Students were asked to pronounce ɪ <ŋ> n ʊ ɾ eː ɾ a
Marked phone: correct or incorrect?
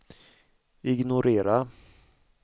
incorrect